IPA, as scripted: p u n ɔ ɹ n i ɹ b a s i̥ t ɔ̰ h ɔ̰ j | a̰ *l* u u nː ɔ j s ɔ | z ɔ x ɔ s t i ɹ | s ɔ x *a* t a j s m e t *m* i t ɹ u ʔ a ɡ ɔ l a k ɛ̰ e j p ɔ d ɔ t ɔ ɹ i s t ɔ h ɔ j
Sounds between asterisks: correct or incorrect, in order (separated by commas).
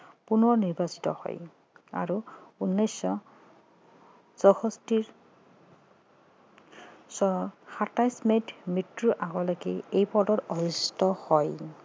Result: incorrect, correct, correct